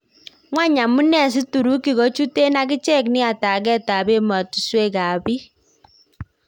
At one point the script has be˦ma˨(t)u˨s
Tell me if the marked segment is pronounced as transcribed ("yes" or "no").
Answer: yes